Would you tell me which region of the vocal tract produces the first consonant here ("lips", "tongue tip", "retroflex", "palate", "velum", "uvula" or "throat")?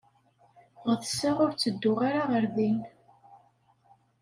uvula